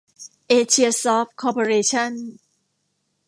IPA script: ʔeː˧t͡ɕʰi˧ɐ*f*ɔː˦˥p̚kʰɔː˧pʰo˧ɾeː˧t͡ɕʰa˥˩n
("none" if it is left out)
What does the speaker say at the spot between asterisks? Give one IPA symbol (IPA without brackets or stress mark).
s